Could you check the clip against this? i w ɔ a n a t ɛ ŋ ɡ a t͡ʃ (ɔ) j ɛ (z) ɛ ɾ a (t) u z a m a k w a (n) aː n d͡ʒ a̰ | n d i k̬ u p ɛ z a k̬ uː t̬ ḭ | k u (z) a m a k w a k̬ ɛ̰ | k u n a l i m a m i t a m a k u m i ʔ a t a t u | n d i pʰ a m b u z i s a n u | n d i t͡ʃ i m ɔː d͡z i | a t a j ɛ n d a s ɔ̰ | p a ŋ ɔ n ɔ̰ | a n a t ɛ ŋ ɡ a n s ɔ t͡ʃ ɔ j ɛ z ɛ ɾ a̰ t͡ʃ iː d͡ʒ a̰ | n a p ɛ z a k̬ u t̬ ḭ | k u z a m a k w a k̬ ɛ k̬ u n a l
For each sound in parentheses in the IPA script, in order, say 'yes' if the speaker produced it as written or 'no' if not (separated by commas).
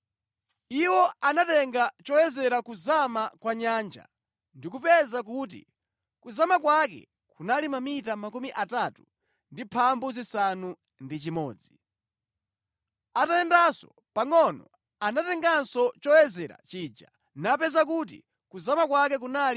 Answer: yes, yes, no, no, yes